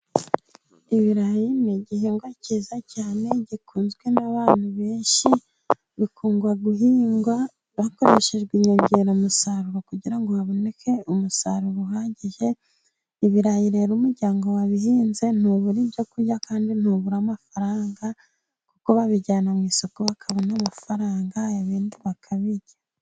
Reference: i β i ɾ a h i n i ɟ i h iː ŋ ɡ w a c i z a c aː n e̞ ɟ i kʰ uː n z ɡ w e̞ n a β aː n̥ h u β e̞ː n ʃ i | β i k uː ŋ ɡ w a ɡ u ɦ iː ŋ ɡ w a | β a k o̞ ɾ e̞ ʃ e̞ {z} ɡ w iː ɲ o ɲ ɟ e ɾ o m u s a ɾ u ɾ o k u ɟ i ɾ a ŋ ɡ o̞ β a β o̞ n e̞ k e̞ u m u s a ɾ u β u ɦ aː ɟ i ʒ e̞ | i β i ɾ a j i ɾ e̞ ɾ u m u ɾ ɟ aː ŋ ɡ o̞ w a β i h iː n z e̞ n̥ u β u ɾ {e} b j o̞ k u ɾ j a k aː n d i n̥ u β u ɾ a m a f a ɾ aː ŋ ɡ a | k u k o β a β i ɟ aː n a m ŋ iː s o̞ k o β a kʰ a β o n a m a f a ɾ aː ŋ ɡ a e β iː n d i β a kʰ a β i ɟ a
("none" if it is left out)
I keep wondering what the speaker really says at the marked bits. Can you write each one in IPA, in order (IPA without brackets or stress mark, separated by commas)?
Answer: ʒ, i